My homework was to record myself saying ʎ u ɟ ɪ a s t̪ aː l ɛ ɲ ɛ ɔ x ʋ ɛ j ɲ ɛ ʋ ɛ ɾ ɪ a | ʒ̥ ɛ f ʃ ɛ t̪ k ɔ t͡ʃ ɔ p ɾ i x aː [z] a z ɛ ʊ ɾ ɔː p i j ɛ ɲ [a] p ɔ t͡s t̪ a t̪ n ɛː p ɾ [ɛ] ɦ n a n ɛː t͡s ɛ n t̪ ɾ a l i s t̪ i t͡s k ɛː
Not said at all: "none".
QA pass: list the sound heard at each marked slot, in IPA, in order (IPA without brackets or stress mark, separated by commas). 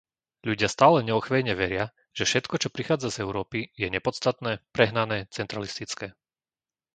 d͡z, ɛ, ɛ